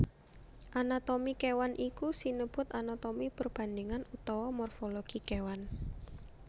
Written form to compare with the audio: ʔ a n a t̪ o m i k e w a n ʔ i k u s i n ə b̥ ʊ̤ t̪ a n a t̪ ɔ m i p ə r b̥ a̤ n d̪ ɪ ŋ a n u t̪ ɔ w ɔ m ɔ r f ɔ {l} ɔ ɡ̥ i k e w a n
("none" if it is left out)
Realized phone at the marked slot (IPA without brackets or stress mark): l